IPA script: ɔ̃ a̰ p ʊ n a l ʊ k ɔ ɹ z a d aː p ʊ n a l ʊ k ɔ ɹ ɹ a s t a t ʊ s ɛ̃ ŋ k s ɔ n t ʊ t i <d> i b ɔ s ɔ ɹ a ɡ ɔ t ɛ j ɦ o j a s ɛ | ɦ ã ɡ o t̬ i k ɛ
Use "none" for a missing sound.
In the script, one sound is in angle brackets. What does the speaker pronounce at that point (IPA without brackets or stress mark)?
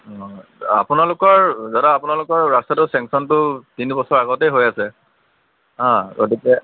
n